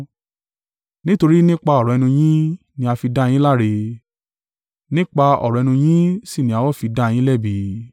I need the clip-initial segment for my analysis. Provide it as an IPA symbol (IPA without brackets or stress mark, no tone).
n